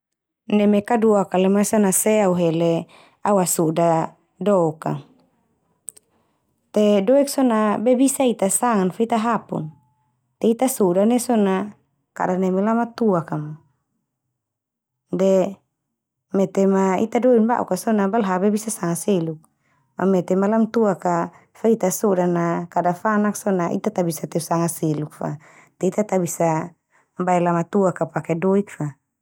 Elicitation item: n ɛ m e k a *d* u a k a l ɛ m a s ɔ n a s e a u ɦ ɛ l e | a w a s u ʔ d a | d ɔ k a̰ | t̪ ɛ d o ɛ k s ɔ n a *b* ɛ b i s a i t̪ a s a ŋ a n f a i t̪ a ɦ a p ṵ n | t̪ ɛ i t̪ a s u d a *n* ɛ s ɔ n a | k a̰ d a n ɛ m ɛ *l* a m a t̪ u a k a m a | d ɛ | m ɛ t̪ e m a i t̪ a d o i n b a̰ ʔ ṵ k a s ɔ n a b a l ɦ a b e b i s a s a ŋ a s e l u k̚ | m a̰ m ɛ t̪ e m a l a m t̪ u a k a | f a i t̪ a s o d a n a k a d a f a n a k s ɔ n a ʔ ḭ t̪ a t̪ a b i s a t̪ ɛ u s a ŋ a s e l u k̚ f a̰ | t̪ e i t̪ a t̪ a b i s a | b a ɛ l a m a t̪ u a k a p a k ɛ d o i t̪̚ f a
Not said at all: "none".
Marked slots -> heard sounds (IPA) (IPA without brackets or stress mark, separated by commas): d, b, n, l